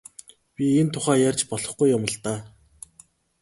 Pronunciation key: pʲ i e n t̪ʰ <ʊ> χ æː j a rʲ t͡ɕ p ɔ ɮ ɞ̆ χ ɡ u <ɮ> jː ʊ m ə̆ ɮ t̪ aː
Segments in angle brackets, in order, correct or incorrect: correct, incorrect: none

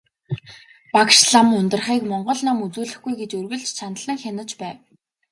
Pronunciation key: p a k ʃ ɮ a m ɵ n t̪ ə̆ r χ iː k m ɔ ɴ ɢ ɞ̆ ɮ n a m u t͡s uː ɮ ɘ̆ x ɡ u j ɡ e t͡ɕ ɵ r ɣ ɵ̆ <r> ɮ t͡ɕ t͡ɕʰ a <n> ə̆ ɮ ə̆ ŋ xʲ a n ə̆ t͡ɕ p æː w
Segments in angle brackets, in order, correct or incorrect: incorrect: none, correct

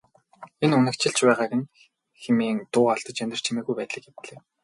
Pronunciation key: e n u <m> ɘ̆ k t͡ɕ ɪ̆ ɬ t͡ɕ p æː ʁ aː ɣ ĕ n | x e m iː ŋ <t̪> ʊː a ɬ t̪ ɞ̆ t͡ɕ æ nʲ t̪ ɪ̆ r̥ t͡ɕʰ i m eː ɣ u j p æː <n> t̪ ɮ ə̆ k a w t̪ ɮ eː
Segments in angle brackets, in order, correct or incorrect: incorrect: n, correct, incorrect: none

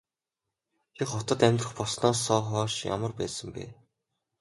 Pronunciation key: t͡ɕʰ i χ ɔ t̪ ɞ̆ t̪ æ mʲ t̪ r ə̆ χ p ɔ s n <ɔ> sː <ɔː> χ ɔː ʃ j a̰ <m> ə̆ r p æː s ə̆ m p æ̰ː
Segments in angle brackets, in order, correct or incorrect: incorrect: ɔː, correct, correct

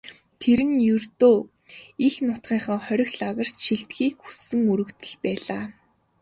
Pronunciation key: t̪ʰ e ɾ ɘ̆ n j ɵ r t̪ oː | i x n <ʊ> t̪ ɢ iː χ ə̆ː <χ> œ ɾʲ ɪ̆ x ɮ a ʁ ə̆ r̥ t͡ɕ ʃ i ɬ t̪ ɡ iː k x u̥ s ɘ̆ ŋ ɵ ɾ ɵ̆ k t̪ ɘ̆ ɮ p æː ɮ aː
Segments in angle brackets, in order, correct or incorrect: correct, correct

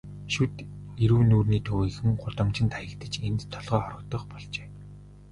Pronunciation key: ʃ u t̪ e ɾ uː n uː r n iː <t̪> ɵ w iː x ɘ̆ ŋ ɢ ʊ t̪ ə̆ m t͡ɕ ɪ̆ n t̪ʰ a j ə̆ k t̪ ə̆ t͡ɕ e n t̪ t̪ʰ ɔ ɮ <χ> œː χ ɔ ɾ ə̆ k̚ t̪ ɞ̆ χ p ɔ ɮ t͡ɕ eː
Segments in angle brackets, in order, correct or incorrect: incorrect: t̪ʰ, incorrect: ʁ

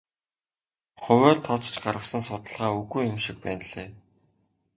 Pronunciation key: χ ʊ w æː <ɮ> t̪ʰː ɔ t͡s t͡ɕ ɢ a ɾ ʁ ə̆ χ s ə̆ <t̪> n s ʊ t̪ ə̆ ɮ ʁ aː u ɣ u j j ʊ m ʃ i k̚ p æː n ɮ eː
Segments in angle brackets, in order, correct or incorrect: correct, incorrect: none

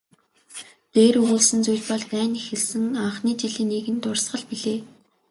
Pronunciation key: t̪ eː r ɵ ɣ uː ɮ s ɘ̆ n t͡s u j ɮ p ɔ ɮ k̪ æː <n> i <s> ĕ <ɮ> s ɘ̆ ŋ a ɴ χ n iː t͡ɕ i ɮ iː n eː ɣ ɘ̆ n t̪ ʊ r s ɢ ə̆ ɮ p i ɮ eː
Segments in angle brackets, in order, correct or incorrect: correct, incorrect: x, correct

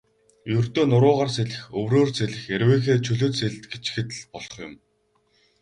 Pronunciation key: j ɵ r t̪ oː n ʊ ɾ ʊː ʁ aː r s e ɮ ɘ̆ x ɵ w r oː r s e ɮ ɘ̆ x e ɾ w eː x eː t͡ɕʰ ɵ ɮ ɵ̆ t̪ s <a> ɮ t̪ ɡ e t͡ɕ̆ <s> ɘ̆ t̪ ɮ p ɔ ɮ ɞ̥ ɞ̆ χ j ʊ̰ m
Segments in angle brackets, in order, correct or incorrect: incorrect: e, incorrect: x

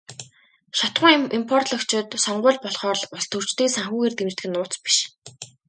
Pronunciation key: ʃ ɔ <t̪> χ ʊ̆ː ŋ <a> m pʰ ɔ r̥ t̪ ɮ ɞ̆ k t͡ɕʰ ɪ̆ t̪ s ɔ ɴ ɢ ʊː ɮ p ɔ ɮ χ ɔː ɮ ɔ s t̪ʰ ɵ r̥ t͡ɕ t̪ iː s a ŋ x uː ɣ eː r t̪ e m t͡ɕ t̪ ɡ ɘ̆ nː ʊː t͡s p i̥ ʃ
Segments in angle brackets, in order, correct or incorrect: correct, incorrect: i

